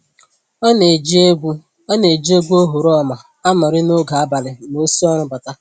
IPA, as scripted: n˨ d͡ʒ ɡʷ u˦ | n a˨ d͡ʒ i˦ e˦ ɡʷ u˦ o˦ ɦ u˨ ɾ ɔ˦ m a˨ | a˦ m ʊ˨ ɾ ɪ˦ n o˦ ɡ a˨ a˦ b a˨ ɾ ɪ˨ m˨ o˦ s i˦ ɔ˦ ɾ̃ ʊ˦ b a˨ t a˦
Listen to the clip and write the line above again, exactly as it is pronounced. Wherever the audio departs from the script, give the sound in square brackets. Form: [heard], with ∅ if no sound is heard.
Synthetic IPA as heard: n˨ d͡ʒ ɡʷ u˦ | n [e˨] d͡ʒ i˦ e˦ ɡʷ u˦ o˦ ɦ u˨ ɾ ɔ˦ m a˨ | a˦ m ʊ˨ ɾ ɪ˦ n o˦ ɡ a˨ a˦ b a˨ [l] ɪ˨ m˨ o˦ s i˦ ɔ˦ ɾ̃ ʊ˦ b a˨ t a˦